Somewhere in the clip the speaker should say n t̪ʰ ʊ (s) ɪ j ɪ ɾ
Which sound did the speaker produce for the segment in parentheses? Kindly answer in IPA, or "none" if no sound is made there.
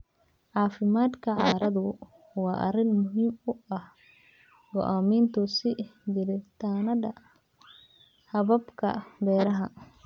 s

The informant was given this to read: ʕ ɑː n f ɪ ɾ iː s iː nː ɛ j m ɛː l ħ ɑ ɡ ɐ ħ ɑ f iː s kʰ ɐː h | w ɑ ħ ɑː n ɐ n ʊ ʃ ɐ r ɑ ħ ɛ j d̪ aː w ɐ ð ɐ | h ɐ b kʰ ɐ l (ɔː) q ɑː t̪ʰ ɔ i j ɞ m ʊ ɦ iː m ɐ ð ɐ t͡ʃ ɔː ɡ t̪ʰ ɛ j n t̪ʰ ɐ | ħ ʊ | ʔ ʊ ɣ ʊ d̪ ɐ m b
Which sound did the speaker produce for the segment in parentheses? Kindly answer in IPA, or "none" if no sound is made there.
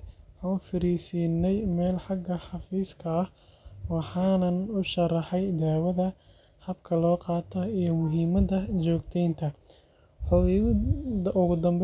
ɔː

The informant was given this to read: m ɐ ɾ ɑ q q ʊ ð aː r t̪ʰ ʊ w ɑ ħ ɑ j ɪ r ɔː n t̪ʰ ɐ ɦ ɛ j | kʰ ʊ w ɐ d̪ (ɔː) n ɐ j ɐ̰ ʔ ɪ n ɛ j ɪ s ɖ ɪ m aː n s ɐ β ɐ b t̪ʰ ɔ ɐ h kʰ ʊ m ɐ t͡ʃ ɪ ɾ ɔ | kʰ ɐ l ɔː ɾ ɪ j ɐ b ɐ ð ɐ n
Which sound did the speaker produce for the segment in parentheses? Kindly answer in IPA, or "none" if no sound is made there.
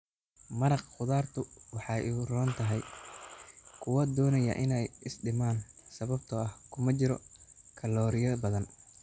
ɔː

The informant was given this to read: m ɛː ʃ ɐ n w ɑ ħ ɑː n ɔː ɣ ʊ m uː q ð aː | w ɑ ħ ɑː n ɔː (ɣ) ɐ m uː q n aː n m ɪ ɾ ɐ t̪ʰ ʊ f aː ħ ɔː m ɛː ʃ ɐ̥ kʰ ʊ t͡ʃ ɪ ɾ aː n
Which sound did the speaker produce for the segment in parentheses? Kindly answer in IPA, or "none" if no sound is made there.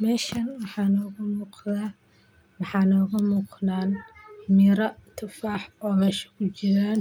ɣ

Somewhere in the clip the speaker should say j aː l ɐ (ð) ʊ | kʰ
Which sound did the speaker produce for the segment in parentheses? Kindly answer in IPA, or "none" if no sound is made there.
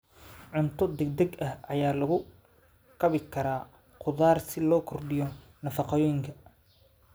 ɣ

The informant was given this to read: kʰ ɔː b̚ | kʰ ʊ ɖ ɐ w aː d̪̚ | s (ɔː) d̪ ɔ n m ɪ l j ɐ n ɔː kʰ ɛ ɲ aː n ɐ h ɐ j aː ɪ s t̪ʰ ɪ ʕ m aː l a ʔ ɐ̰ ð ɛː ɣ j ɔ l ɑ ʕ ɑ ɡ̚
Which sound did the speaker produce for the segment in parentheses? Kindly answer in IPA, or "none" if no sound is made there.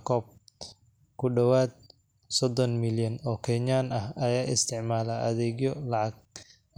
ɔ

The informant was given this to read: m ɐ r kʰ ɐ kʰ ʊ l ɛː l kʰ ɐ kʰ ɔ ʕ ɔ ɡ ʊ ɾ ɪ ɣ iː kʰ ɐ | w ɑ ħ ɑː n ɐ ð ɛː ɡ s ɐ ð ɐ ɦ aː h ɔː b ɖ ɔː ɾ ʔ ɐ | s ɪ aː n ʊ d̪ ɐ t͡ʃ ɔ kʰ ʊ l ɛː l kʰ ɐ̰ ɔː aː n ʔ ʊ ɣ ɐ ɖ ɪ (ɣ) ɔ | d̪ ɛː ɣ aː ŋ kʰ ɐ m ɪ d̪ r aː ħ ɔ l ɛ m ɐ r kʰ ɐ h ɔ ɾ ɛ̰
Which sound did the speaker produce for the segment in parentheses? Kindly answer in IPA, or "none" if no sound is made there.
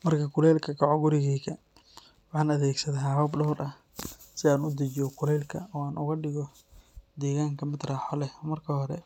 ɣ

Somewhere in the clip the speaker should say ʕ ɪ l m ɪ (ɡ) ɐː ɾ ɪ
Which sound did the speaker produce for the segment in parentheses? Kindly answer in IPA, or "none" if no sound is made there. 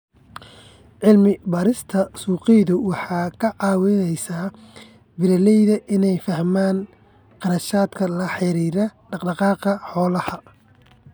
b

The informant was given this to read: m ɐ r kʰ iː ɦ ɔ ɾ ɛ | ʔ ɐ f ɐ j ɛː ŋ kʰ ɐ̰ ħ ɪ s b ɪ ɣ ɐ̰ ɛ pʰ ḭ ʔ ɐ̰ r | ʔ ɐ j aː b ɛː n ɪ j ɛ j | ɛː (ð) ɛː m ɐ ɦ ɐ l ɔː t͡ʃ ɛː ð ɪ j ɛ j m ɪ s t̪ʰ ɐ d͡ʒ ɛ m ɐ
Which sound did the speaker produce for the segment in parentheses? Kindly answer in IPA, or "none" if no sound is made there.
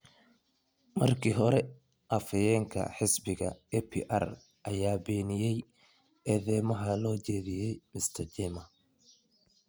ð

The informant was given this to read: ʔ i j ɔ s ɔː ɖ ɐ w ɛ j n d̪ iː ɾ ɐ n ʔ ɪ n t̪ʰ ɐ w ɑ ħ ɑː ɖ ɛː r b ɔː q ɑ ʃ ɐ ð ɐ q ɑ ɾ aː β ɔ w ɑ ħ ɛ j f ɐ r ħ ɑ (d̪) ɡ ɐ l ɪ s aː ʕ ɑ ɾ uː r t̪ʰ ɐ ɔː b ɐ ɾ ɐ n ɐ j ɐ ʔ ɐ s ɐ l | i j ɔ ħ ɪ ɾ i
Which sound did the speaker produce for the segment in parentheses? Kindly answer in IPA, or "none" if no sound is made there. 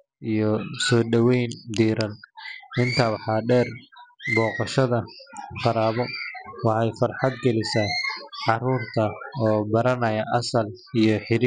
d̪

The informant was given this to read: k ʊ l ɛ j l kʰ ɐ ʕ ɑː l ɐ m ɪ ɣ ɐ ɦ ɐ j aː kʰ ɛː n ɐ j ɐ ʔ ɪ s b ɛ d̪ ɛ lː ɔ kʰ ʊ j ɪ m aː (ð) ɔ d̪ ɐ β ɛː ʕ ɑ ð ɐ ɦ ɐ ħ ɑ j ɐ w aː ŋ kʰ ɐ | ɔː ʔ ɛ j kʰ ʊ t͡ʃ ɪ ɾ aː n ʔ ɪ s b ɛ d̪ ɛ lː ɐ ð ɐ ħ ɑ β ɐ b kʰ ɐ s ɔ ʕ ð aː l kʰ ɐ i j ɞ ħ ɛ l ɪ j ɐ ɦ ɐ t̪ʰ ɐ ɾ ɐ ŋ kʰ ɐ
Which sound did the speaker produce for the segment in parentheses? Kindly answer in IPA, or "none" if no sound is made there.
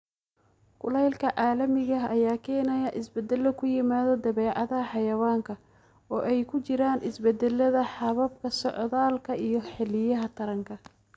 ð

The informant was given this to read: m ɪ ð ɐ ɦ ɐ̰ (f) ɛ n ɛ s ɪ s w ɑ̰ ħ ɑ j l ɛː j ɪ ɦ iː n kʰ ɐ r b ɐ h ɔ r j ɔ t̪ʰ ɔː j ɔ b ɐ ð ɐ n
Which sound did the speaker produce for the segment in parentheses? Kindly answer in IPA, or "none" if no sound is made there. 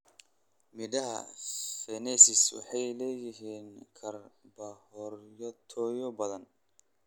f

